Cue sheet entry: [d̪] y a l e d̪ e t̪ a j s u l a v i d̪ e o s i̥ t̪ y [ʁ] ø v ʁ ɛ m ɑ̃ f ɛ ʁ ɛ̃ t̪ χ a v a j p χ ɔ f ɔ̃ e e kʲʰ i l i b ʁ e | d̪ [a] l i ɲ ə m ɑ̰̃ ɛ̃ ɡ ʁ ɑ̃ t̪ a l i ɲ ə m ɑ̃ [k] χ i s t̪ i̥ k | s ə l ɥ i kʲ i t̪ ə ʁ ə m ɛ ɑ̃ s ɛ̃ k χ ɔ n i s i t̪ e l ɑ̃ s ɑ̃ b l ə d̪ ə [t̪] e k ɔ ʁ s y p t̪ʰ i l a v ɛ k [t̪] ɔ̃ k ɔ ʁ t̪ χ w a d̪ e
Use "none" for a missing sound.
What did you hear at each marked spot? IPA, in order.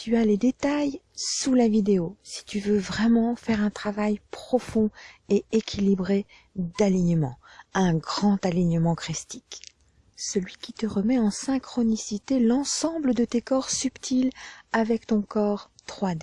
t̪, v, a, k, t̪, t̪

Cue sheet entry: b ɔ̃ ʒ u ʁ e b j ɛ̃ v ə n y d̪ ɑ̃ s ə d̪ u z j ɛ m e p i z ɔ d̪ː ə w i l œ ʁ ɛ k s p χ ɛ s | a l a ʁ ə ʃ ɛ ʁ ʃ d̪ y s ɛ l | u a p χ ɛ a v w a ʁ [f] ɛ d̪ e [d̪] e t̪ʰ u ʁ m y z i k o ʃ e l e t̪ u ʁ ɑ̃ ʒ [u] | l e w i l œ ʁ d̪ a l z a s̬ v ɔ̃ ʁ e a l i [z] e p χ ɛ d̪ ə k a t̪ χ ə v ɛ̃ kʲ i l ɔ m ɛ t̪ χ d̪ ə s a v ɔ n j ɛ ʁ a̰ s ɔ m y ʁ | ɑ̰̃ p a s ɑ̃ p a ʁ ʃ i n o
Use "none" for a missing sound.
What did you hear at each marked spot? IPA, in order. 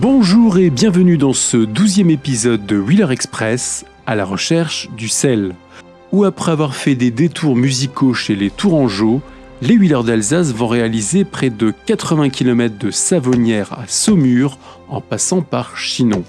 f, d̪, o, z

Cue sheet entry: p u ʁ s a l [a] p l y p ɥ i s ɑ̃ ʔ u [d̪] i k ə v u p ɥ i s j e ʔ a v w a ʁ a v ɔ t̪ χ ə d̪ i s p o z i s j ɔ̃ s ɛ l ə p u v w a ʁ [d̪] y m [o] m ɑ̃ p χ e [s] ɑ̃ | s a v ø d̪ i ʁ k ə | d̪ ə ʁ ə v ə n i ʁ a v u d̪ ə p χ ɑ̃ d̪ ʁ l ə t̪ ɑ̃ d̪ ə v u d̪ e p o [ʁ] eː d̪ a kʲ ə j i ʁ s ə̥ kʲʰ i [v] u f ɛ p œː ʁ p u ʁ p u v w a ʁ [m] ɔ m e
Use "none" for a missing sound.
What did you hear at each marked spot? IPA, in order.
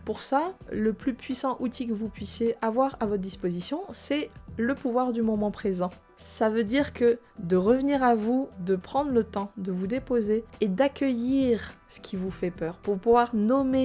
ə, t̪, d̪, ɔ, z, z, v, n

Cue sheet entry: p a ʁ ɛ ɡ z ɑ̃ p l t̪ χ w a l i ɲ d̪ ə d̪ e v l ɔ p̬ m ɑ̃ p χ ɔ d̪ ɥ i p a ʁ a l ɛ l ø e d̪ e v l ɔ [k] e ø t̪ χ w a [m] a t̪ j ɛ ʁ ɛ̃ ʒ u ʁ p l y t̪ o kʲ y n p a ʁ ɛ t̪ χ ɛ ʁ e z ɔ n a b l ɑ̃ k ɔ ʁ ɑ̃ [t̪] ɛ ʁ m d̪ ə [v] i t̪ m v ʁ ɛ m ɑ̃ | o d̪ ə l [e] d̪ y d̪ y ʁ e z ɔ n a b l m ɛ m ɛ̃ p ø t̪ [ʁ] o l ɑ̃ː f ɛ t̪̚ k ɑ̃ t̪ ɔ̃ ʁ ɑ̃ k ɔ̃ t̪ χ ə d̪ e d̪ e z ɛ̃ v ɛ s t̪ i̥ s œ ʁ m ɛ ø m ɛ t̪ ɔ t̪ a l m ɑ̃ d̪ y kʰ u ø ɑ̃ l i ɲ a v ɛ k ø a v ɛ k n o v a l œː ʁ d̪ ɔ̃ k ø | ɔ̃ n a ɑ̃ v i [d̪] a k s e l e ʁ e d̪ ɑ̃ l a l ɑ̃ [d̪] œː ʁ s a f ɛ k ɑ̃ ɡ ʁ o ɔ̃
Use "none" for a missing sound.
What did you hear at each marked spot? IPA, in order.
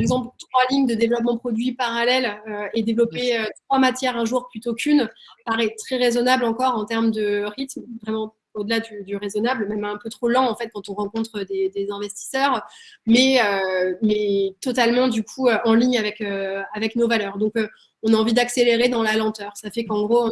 p, m, t̪, ʁ, a, χ, d̪, t̪

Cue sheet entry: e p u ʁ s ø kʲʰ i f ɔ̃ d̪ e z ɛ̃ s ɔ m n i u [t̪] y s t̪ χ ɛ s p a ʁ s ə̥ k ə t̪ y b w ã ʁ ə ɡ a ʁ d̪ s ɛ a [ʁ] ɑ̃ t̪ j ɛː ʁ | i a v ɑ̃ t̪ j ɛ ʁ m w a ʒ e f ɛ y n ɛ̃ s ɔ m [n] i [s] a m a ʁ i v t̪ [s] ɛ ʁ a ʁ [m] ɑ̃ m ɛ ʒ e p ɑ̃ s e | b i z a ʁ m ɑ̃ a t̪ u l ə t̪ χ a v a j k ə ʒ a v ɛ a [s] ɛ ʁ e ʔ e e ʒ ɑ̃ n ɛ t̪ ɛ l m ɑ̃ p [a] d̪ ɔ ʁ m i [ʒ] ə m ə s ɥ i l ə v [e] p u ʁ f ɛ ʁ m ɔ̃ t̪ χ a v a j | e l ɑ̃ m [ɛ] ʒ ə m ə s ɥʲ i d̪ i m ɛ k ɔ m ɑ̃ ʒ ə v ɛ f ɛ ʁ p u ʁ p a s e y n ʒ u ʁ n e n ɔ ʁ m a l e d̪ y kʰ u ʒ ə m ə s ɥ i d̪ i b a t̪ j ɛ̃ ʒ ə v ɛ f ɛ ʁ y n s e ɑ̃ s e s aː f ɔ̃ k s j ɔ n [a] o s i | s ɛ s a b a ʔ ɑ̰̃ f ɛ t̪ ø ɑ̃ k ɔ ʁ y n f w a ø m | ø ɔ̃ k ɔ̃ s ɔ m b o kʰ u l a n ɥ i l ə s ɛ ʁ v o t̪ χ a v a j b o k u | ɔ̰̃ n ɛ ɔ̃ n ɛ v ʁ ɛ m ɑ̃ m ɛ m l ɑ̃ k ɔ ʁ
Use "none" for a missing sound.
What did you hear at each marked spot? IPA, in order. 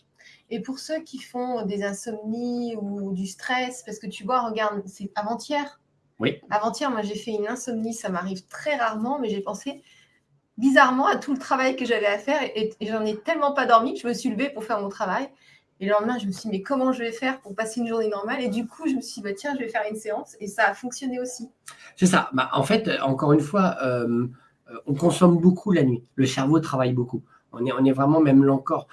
d̪, v, n, s, χ, m, f, a, ʒ, e, ɛ̃, e

